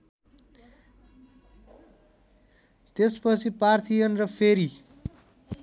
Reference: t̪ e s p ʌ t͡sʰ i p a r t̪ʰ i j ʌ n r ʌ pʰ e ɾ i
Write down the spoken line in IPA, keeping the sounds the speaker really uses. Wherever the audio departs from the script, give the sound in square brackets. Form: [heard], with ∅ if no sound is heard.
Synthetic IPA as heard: t̪ e s p ʌ t͡sʰ i p a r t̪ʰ i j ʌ n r ʌ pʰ e ɾ i